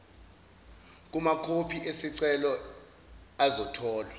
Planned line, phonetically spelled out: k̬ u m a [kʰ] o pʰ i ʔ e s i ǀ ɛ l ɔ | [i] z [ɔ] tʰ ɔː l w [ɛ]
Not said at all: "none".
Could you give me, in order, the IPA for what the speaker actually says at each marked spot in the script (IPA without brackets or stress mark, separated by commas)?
kʰ, a, ɔ, a